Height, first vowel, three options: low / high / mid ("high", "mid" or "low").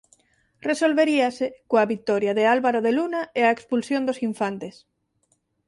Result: mid